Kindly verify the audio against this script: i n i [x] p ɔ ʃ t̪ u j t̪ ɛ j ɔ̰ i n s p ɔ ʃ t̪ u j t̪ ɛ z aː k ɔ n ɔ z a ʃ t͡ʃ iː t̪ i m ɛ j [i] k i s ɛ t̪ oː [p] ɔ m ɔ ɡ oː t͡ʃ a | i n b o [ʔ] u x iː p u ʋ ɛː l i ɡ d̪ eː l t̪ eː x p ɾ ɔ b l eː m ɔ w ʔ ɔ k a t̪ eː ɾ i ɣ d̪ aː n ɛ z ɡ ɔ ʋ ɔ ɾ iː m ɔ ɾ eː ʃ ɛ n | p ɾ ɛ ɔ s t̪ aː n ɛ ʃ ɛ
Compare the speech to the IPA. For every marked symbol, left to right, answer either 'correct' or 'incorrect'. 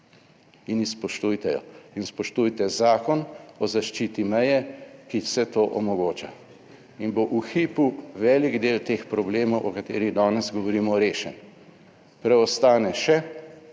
incorrect, incorrect, incorrect, correct

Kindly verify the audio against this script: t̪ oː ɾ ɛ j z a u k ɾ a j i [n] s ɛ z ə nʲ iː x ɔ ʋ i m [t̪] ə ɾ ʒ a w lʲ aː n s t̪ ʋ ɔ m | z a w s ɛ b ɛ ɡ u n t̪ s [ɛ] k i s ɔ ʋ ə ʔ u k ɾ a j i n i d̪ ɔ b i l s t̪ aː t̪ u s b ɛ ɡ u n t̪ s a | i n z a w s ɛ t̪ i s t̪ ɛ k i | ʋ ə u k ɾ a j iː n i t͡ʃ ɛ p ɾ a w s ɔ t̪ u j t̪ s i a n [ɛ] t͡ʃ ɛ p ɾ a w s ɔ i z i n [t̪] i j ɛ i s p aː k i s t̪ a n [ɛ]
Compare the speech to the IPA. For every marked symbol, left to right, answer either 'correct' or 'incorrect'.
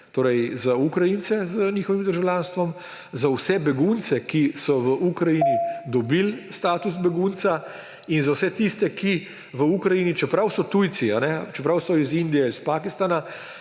correct, incorrect, correct, correct, incorrect, incorrect

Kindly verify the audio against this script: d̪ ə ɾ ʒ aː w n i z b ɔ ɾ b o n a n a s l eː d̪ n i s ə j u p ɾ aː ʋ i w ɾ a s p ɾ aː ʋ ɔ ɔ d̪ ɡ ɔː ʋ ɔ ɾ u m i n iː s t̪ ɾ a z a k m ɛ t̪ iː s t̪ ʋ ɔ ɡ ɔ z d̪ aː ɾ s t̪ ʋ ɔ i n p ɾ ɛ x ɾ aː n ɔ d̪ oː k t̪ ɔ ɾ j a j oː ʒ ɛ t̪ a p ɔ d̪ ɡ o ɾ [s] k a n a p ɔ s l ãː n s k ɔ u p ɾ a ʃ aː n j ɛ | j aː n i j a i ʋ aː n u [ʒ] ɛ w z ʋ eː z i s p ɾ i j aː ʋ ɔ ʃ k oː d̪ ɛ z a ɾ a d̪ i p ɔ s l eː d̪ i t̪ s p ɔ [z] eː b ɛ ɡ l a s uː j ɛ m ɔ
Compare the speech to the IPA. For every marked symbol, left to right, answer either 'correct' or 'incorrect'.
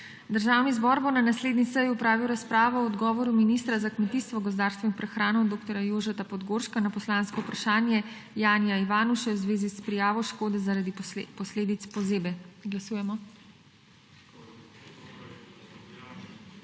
incorrect, incorrect, correct

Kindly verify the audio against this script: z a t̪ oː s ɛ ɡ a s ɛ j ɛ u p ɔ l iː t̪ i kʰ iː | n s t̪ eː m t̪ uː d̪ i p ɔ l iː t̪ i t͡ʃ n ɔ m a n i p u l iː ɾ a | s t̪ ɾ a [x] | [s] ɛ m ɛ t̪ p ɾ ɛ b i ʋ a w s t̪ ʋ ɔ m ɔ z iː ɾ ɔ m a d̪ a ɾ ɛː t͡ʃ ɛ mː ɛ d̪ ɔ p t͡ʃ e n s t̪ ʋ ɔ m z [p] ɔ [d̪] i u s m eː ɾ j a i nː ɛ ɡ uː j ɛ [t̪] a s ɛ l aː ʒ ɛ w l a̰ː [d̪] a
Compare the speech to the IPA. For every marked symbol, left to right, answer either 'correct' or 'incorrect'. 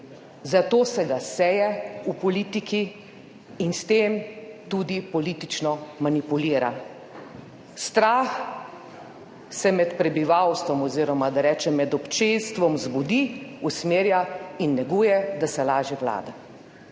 correct, correct, incorrect, correct, incorrect, correct

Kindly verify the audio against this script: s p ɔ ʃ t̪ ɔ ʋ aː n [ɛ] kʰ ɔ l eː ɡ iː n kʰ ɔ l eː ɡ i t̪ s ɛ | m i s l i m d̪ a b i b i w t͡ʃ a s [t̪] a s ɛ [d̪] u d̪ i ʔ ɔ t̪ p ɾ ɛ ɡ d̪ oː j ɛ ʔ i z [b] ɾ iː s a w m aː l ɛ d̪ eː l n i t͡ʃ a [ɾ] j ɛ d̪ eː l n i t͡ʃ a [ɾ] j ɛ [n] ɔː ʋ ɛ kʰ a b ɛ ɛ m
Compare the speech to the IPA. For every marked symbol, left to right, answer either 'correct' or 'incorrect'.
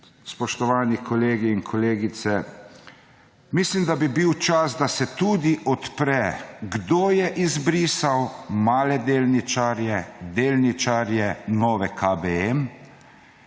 incorrect, incorrect, incorrect, correct, correct, correct, correct

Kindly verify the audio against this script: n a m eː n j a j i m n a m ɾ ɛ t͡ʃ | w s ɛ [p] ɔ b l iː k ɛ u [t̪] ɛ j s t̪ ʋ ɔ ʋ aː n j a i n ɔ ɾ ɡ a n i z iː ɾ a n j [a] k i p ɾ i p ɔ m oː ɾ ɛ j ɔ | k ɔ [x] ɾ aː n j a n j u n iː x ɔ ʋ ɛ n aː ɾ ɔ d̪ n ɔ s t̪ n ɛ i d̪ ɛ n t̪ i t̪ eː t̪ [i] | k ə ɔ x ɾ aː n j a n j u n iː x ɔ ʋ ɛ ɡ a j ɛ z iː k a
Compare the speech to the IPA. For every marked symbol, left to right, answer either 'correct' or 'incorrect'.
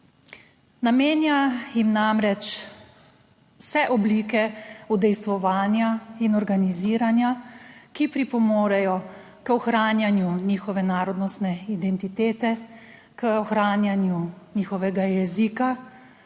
incorrect, incorrect, correct, correct, incorrect

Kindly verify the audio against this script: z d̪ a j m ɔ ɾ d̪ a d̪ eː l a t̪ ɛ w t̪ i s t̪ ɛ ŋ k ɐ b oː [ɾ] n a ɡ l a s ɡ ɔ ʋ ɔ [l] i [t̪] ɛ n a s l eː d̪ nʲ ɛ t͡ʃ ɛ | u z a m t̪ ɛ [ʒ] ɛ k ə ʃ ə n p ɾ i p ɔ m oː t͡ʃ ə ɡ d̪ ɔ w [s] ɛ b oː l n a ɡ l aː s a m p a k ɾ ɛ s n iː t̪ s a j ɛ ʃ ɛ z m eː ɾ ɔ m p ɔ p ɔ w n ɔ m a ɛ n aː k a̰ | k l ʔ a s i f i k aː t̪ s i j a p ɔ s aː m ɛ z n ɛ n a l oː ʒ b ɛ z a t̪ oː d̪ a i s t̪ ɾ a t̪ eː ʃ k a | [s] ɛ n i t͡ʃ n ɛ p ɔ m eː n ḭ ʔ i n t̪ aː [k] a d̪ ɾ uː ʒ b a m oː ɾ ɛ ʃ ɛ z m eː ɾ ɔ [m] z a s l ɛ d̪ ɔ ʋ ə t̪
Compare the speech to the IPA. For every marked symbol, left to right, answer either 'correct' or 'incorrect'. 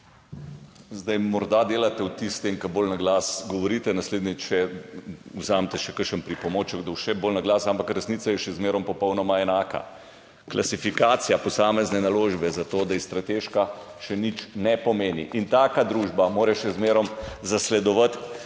incorrect, incorrect, correct, incorrect, incorrect, incorrect, correct, correct

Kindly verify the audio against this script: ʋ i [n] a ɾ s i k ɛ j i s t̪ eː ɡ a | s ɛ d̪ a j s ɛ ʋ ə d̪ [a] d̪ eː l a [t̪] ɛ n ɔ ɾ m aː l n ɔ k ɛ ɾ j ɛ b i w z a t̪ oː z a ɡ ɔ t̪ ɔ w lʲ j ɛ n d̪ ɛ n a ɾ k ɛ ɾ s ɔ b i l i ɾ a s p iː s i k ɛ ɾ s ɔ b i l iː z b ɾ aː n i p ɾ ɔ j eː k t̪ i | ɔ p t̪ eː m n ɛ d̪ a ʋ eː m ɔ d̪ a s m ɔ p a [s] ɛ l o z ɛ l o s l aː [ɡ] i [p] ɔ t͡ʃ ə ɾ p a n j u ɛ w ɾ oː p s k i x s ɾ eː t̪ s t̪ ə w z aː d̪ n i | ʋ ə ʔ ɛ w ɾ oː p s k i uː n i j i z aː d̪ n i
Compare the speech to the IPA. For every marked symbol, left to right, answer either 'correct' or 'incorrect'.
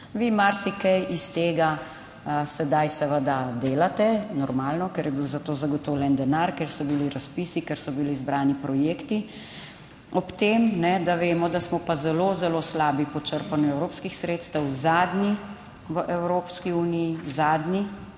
incorrect, correct, correct, incorrect, incorrect, correct

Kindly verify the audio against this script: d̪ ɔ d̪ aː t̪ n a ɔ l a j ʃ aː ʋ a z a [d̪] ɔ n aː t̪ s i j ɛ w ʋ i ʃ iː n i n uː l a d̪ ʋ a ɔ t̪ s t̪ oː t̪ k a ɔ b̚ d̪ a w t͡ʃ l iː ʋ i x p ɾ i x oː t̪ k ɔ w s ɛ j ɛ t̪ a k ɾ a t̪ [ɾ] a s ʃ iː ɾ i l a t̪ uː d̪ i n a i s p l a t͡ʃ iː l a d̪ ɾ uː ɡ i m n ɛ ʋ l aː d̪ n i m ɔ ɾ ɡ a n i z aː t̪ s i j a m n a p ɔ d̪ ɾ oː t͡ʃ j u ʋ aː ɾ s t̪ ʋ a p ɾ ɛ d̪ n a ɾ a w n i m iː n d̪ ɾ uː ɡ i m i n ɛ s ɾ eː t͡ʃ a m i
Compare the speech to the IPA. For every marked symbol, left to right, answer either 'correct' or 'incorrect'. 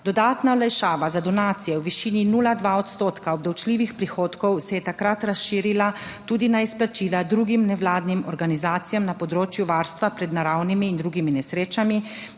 correct, correct

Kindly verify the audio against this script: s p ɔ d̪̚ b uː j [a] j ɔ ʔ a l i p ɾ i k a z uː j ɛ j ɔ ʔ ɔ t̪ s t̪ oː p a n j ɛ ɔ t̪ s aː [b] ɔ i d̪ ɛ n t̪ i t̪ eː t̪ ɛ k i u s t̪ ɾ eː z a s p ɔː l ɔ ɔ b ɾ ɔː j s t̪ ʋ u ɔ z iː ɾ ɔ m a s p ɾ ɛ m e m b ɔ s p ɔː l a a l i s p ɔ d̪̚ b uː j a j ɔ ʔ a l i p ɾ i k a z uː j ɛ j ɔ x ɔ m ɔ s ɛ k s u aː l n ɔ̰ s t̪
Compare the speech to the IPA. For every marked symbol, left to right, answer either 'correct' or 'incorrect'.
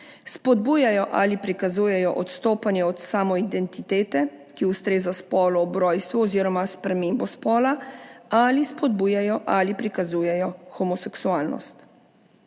correct, incorrect

